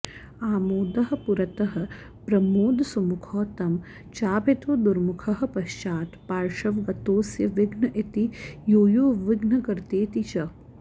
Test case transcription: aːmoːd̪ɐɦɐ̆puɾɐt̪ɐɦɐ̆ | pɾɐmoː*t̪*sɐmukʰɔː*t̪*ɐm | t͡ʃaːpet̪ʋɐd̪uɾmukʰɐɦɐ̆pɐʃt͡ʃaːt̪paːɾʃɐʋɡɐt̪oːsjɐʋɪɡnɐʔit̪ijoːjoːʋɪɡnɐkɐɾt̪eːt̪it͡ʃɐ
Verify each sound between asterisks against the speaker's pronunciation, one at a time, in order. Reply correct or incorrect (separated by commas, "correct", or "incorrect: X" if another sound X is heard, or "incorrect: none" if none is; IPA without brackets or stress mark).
incorrect: d̪, correct